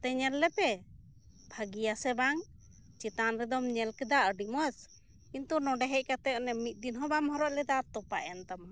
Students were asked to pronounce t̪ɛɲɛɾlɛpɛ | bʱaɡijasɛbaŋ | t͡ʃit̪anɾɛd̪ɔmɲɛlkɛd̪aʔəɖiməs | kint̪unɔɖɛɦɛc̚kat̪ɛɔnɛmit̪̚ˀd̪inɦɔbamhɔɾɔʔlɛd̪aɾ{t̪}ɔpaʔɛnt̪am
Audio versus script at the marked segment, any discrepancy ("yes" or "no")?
no